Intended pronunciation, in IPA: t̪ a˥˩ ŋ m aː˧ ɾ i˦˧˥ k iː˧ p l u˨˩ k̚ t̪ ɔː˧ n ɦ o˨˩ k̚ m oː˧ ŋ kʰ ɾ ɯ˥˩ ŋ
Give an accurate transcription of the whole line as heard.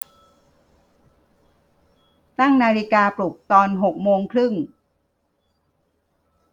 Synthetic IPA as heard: t̪ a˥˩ ŋ n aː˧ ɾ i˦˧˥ k aː˧ p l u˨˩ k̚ t̪ ɔː˧ n ɦ o˨˩ k̚ m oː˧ ŋ kʰ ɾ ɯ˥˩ ŋ